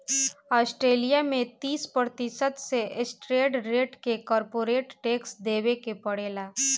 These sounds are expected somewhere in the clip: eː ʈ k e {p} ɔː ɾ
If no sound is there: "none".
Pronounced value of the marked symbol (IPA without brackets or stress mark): k